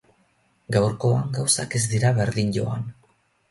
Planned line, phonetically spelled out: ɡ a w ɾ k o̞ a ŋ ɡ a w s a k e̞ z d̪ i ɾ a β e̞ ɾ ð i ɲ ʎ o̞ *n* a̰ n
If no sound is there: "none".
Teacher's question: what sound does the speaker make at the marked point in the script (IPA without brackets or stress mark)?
none